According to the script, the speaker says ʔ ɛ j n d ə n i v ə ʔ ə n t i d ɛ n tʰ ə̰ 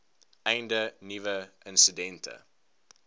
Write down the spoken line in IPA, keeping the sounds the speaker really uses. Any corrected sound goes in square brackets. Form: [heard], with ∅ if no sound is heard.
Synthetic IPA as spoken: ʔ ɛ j n d ə n i v ə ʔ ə n [s] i d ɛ n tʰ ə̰